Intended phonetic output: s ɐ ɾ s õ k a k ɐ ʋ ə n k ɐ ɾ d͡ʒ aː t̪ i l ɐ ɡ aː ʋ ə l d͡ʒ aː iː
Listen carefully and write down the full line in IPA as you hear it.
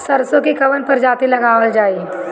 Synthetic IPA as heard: s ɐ ɾ s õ k i k ɐ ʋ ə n p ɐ ɾ d͡ʒ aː t̪ i l ɐ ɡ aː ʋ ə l d͡ʒ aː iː